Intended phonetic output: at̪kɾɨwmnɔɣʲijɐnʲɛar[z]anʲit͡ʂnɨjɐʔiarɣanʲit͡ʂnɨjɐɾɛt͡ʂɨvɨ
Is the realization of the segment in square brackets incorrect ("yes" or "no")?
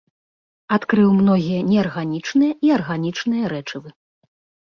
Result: yes